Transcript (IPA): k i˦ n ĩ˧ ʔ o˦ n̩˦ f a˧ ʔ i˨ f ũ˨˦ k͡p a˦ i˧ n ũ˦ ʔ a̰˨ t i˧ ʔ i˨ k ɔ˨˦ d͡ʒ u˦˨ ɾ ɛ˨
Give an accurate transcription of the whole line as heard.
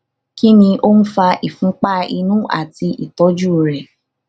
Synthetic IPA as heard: k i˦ n ĩ˧ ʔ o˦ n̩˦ f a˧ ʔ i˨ f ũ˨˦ k͡p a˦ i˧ n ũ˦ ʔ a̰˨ t i˧ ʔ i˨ t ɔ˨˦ d͡ʒ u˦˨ ɾ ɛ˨